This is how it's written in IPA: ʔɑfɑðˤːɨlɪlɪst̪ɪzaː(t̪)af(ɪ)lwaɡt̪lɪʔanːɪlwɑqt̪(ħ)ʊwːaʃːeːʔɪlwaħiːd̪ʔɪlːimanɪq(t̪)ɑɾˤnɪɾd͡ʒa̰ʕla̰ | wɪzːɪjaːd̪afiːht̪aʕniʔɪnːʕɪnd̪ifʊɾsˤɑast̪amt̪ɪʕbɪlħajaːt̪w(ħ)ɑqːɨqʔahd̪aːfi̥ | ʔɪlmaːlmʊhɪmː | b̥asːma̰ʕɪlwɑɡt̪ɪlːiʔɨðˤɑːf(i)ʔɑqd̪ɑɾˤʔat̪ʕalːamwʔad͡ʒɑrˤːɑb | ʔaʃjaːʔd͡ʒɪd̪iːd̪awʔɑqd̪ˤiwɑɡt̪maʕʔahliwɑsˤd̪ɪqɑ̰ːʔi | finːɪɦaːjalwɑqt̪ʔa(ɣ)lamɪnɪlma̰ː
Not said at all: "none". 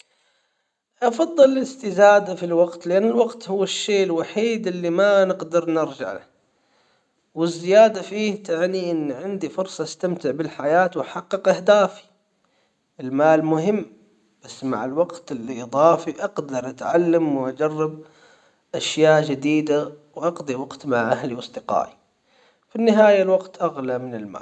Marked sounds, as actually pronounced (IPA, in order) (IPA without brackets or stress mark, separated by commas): d̪, i, h, d̪, ħ, i, ɣ